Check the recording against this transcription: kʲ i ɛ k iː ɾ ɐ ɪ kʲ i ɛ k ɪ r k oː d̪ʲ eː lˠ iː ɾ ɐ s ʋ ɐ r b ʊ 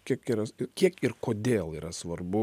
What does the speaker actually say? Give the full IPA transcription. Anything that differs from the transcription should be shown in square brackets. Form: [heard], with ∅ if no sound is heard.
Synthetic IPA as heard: kʲ i ɛ k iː ɾ ɐ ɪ kʲ i ɛ k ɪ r k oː d̪ʲ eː lˠ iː ɾ ɐ s ʋ ɐ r b ʊ